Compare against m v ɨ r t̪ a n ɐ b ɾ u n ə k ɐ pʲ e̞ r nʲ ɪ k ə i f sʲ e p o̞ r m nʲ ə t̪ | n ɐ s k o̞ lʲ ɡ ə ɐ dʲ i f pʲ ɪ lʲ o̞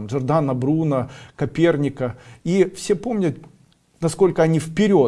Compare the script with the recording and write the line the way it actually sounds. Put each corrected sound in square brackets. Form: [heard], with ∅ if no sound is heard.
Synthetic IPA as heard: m [ʐ] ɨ r [d̪] a n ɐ b ɾ u n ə k ɐ pʲ e̞ r nʲ ɪ k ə i f sʲ e p o̞ [∅] m nʲ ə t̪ | n ɐ s k o̞ lʲ [k] ə ɐ [nʲ] i f pʲ ɪ [ɾʲ] o̞